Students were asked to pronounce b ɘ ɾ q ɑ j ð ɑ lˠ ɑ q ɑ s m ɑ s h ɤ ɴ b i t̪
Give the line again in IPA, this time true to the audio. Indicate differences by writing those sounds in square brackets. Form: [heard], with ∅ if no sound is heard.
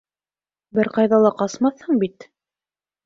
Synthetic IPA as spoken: b ɘ ɾ q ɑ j ð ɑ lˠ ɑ q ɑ s m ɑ [θ] h ɤ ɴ b i t̪